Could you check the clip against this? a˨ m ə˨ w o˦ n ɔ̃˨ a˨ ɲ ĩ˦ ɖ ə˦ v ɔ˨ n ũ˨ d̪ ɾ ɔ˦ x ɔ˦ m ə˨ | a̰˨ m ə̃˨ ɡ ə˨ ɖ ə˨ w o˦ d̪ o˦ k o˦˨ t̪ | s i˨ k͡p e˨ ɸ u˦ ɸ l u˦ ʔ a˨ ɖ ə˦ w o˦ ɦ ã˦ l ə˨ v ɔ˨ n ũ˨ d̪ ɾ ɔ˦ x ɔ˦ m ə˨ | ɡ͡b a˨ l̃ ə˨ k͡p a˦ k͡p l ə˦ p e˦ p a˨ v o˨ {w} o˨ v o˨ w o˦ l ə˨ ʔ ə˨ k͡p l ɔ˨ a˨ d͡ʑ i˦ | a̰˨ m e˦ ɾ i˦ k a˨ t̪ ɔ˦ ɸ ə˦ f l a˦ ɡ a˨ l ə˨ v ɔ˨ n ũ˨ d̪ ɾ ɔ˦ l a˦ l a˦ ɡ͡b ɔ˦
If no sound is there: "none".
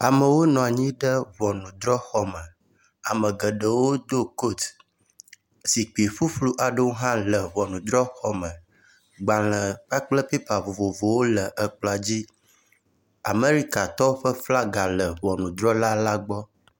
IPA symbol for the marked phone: v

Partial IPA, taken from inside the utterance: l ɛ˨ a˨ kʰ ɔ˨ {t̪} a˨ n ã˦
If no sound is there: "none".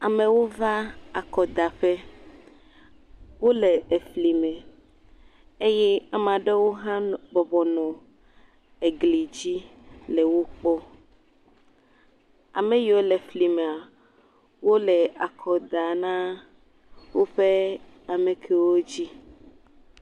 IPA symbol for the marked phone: d̪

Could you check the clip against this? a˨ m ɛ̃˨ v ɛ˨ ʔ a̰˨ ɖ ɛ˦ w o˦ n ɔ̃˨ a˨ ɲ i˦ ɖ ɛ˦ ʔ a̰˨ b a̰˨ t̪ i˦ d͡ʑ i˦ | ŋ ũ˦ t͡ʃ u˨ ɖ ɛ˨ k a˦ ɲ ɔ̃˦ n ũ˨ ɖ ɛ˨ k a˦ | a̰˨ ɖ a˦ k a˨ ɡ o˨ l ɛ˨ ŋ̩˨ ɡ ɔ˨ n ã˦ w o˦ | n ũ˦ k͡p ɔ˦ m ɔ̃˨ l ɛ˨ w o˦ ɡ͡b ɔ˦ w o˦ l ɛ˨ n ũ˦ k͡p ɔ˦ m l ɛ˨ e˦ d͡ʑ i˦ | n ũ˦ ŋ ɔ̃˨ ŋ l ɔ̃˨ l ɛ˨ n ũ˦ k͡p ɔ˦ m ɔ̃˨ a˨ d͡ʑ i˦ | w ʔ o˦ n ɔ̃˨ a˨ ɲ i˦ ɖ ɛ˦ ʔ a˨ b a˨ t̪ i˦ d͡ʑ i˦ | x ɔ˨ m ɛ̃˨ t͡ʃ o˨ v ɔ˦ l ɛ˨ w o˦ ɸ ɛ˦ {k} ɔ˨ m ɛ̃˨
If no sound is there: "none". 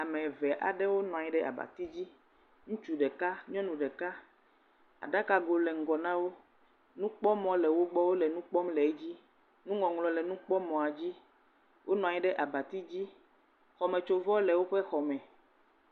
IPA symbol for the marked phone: x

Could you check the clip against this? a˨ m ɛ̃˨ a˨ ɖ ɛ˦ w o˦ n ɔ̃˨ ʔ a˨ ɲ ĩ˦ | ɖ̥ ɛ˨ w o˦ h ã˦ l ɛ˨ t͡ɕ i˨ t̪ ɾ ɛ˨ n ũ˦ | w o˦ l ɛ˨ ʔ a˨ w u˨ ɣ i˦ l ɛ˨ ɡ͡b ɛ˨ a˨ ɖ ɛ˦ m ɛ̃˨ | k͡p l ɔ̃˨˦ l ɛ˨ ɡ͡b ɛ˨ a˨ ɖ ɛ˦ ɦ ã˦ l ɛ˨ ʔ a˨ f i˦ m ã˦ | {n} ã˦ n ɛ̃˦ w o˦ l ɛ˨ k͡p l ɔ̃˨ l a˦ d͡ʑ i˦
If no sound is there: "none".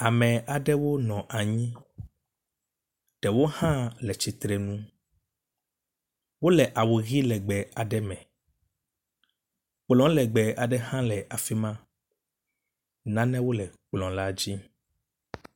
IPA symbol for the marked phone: n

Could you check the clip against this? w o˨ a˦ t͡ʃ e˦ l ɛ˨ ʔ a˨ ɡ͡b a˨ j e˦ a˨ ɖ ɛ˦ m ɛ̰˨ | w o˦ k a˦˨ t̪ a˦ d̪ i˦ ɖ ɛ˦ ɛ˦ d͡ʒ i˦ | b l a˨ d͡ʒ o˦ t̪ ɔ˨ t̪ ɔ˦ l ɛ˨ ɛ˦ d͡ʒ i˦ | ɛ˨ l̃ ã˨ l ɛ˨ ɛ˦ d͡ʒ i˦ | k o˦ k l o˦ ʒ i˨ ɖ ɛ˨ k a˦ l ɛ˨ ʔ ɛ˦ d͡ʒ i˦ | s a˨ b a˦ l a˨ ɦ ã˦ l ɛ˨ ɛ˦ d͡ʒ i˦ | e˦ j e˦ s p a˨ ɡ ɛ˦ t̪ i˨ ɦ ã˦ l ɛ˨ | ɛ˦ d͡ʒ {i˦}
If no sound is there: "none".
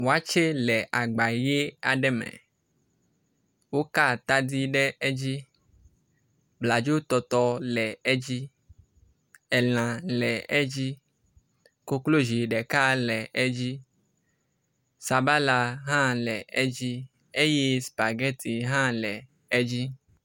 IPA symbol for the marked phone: i˦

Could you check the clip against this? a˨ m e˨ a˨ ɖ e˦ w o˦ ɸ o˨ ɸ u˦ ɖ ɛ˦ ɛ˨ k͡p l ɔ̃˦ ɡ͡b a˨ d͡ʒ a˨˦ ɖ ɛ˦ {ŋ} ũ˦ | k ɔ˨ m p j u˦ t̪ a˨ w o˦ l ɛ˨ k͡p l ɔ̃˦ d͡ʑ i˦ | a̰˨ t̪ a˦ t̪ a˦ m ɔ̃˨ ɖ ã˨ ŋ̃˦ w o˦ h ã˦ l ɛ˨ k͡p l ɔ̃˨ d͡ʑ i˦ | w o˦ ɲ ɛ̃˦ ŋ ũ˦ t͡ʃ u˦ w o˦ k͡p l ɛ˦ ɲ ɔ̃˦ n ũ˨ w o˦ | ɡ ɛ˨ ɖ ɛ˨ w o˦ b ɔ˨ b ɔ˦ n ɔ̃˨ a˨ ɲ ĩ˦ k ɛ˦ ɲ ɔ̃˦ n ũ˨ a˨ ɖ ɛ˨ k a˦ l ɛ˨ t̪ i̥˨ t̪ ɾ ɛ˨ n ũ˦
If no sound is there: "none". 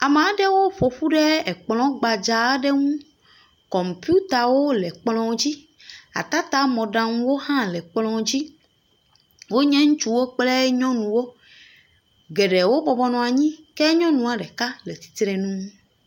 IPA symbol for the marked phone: ŋ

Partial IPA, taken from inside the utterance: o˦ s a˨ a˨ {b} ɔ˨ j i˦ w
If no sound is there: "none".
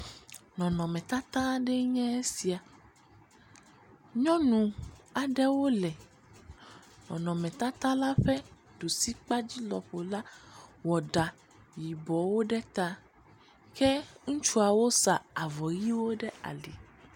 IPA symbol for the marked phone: v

